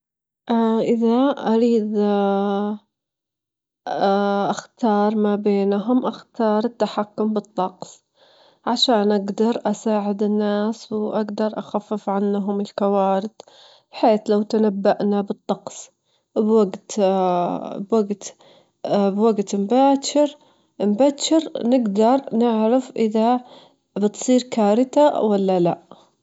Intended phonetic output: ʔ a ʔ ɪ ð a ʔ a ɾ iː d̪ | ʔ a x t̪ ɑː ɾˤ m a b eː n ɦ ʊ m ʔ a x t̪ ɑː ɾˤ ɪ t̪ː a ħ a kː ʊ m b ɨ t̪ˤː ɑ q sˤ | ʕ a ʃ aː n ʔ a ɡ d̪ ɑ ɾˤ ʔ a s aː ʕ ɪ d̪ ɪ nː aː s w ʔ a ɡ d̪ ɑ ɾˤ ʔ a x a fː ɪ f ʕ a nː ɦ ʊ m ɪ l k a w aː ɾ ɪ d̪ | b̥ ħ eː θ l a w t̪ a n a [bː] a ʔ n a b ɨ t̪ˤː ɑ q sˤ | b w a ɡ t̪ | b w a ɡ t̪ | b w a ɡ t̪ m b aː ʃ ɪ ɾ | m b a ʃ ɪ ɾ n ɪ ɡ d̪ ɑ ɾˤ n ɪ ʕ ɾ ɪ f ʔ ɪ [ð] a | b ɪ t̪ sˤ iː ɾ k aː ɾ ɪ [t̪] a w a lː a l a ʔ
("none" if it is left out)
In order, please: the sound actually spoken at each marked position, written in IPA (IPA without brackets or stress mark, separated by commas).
bː, ð, t̪